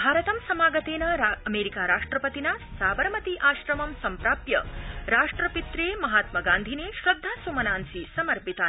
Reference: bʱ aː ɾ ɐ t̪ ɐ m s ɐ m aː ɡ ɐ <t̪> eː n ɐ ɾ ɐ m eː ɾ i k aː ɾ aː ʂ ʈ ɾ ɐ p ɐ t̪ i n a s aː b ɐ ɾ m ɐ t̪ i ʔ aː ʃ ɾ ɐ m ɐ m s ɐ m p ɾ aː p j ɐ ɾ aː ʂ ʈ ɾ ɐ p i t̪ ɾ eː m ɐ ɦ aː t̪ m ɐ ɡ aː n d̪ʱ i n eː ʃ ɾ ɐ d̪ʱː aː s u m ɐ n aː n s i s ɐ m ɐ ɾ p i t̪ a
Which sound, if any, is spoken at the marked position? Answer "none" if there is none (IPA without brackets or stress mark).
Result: t̪